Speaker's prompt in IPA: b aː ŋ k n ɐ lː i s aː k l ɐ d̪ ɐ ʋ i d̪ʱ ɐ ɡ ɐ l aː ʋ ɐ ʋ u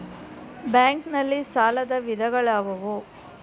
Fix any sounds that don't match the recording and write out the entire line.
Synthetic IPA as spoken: b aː ŋ k n ɐ lː i s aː l ɐ d̪ ɐ ʋ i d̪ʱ ɐ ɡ ɐ ɭ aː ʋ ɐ ʋ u